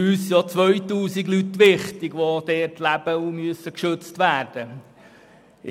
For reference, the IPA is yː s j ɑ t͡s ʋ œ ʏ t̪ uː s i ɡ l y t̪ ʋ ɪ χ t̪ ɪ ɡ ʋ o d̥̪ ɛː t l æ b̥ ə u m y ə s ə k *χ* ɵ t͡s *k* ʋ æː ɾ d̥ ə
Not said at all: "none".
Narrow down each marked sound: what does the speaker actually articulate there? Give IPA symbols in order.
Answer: ʃ, t

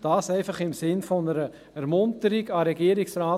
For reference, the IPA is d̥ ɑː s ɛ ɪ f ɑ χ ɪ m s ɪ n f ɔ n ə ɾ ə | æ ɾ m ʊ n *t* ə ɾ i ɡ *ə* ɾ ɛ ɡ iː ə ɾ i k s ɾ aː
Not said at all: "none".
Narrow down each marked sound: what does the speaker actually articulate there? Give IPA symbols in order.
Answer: t, ɑ

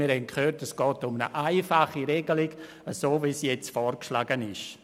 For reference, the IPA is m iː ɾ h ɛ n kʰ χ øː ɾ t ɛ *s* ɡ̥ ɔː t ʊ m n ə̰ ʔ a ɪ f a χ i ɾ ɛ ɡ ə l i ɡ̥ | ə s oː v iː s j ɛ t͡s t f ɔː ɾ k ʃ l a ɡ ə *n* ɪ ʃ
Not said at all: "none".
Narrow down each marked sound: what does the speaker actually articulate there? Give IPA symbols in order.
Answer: s, n

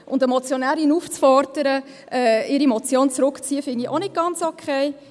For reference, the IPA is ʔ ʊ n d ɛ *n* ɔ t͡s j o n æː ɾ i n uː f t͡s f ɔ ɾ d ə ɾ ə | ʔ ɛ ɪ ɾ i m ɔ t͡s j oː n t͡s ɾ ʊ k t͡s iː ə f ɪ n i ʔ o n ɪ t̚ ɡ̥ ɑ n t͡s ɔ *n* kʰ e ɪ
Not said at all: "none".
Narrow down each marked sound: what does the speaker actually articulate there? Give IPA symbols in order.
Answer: m, none

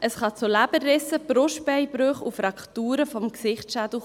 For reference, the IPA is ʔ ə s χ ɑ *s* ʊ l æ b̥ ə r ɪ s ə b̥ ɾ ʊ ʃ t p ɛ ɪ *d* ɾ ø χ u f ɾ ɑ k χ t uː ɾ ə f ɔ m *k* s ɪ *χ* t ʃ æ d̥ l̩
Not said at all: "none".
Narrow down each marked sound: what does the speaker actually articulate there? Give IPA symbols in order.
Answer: t͡s, b, k, χ

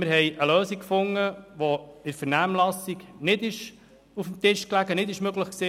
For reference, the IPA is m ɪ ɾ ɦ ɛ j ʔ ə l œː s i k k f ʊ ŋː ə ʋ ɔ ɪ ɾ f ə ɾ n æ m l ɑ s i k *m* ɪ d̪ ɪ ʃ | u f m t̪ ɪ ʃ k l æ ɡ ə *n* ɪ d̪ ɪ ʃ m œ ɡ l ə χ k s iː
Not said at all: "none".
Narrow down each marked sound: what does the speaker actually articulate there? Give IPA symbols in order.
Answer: n, n

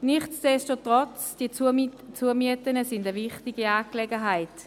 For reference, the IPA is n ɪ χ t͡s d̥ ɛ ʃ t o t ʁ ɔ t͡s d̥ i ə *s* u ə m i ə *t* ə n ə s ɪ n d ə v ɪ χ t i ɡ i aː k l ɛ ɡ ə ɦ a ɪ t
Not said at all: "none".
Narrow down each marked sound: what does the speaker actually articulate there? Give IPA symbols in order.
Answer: t͡s, t

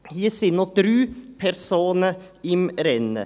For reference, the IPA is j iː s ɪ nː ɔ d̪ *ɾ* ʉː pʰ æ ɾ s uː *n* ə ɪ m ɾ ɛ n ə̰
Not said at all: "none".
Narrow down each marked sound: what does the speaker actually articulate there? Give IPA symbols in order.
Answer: ɾ, n

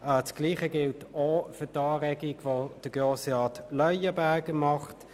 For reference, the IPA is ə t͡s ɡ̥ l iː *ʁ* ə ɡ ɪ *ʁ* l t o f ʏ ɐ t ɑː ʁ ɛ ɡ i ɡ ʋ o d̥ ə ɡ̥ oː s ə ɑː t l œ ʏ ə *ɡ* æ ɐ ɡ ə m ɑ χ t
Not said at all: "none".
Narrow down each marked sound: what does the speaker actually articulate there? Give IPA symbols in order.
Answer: χ, none, b

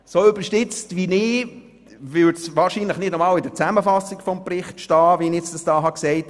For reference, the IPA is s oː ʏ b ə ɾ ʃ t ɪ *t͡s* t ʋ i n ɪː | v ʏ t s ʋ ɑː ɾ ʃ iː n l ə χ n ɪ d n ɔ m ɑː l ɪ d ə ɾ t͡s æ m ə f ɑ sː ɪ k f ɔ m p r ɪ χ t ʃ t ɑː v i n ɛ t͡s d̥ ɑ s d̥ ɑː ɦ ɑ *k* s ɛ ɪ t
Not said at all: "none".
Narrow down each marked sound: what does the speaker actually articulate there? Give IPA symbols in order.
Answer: t͡s, k

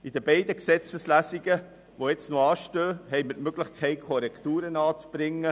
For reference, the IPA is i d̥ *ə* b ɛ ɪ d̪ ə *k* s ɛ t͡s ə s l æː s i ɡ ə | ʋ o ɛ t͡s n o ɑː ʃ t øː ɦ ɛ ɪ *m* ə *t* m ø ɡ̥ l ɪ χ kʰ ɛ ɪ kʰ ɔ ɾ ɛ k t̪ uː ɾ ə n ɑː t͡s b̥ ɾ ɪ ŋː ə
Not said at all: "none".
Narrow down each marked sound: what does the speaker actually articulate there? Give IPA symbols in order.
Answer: ə, k, m, t

